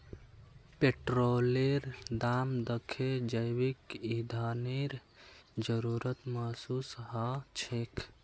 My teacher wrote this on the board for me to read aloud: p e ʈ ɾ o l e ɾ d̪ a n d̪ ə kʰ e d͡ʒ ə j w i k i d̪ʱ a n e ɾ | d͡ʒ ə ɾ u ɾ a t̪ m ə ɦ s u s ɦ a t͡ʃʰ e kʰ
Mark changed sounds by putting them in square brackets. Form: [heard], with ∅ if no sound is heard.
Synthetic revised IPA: p e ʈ ɾ o l e ɾ d̪ a [m] d̪ ə kʰ e d͡ʒ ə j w i k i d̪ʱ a n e ɾ | d͡ʒ ə ɾ u ɾ [ə] t̪ m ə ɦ s u s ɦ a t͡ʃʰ e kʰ

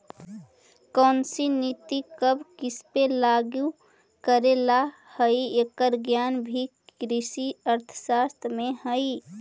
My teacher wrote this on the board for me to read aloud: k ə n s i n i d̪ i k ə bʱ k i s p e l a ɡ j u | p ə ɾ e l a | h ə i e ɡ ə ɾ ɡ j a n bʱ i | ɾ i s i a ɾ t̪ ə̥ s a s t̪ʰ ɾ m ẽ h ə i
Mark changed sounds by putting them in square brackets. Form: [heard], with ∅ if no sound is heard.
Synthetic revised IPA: k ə n s i n i [t̪] i k ə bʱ k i s p e l a ɡ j u | [k] ə ɾ e l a | h ə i e [k] ə ɾ ɡ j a n bʱ i | ɾ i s i [ə] ɾ [t̪ʰ] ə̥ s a s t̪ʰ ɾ m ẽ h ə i

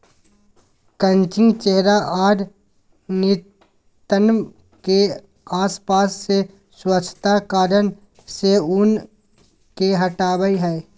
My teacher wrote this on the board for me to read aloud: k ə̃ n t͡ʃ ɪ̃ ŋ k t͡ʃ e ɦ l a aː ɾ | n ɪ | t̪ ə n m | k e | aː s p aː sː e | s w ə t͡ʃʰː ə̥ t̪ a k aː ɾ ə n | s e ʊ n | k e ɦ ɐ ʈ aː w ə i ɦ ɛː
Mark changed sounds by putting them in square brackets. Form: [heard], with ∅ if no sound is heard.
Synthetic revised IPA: k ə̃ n t͡ʃ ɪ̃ ŋ [ɡ] t͡ʃ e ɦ [ɾ] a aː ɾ | n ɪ | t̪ ə n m | k e | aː s p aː sː e | s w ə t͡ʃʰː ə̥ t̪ a k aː ɾ ə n | s e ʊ n | k e ɦ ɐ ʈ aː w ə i ɦ ɛː

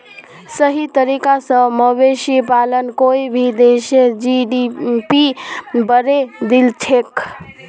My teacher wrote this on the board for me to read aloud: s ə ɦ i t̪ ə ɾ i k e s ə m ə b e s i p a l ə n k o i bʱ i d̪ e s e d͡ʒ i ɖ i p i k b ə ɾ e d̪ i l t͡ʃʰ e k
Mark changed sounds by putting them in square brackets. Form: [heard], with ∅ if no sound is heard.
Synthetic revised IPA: s ə ɦ i t̪ ə ɾ i k [a] s ə m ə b e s i p a l ə n k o i bʱ i d̪ e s e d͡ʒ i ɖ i p i [∅] b ə ɾ e d̪ i l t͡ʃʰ e k

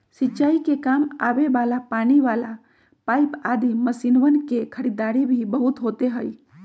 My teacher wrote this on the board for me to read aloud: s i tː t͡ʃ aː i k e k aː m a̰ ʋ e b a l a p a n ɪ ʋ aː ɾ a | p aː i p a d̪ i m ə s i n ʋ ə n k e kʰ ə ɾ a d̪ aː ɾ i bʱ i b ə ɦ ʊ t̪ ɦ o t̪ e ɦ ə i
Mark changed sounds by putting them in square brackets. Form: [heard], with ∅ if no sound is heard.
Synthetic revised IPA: s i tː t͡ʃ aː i k e k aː m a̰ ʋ e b a l a p a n [i] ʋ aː [l] a | p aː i p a d̪ i m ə s i n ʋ ə n k e kʰ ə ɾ [i] d̪ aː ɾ i bʱ i b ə ɦ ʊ t̪ ɦ o t̪ e ɦ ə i

